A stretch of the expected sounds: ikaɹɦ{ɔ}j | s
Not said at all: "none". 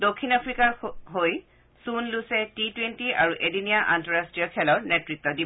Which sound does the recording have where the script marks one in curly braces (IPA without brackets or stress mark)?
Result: o